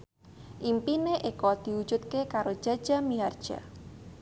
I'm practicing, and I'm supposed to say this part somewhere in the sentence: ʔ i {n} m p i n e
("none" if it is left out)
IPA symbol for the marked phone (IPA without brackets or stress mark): none